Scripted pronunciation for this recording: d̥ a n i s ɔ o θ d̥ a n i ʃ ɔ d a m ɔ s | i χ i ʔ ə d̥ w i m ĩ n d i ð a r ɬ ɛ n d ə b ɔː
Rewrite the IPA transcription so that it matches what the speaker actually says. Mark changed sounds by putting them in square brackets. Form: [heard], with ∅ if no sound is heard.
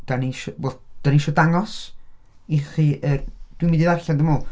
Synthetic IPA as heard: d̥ a n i [ʃ] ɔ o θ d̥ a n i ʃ ɔ d a [ŋ] ɔ s | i χ i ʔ ə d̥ w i m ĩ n d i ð a r ɬ [a] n d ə [m] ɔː